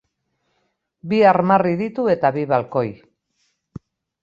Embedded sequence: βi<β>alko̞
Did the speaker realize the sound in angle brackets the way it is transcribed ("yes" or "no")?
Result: yes